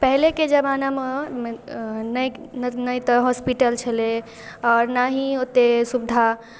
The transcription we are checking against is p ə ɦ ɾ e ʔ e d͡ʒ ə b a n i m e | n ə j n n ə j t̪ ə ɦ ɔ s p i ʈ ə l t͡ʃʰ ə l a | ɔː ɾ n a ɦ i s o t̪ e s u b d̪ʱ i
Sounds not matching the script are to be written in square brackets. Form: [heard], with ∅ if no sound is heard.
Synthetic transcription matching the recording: p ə ɦ [l] e [k] e d͡ʒ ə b a n [a] m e | n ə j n n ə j t̪ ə ɦ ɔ s p i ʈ ə l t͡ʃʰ ə l [e] | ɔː ɾ n a ɦ i [∅] o t̪ e s u b d̪ʱ [a]